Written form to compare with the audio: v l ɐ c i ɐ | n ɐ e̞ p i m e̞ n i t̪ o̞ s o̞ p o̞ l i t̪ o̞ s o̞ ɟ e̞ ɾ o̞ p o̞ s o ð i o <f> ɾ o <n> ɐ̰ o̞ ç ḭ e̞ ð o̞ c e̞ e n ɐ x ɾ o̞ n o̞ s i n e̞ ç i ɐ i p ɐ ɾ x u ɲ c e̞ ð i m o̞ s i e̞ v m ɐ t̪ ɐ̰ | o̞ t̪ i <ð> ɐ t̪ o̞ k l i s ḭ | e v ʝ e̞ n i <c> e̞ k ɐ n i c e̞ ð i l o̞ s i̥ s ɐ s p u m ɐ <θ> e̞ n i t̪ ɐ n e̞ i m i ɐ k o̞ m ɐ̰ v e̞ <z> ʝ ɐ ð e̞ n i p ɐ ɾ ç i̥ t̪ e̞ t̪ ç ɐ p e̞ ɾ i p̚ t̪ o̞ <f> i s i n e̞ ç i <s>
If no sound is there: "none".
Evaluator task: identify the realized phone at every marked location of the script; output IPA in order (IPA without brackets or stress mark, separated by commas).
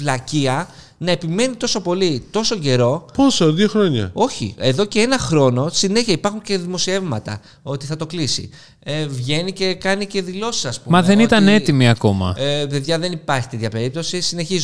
x, ɲ, θ, c, ð, ð, s, z